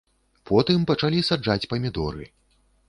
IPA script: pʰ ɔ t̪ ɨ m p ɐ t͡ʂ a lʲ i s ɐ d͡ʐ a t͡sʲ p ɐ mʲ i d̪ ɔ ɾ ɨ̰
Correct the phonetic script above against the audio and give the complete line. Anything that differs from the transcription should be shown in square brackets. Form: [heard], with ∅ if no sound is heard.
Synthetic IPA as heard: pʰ ɔ t̪ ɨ m p ɐ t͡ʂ a lʲ i s [a] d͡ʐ a t͡sʲ p ɐ mʲ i d̪ ɔ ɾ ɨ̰